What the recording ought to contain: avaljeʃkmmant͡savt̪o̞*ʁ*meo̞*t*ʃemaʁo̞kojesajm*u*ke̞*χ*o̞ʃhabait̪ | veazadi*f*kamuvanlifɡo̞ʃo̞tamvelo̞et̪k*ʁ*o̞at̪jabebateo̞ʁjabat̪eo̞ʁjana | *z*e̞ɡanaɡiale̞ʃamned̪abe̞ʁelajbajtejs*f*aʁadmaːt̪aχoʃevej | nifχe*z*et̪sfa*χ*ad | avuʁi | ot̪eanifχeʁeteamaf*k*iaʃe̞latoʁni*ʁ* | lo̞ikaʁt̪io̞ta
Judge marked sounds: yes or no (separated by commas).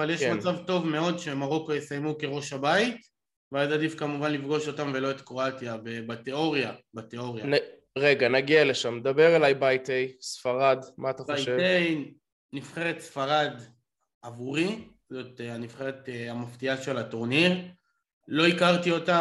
no, no, yes, no, yes, yes, no, yes, no, no, no, yes